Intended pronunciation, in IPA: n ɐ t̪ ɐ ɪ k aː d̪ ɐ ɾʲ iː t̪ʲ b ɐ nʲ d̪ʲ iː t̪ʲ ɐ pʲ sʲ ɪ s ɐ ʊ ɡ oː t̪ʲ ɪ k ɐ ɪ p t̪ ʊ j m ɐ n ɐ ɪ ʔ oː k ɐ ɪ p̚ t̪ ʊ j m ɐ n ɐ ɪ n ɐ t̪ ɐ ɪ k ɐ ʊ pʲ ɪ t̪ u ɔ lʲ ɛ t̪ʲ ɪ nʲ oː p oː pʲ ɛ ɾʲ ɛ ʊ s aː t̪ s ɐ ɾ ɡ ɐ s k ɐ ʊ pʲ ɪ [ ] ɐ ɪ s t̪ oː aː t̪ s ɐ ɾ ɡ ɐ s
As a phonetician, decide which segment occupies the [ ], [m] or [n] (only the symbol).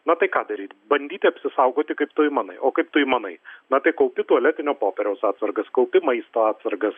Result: m